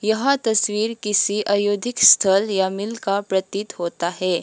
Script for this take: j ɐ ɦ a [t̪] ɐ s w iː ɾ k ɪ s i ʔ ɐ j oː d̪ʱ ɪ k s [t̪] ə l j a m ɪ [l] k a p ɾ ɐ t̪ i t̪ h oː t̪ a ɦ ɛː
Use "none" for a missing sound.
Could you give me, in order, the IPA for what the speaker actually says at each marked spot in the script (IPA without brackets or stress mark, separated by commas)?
t̪, t̪ʰ, l